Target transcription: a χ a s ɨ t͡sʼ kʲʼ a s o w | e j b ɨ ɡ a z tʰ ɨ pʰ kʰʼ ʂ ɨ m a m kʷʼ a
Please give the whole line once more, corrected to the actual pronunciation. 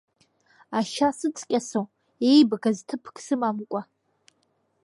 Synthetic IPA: a ʃ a s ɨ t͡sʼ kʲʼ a s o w | e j b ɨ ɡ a z tʰ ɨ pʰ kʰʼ s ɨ m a m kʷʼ a